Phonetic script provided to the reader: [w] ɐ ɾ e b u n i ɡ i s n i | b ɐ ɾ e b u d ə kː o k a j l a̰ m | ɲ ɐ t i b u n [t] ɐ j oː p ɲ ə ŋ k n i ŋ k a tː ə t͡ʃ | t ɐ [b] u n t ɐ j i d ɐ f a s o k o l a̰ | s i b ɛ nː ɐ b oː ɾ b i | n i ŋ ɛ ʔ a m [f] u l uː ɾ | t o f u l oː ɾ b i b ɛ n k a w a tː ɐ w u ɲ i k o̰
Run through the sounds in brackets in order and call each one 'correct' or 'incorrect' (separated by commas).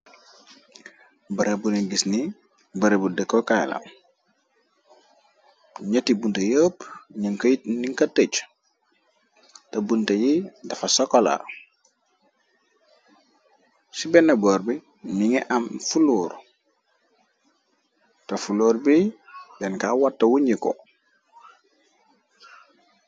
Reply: incorrect, correct, correct, correct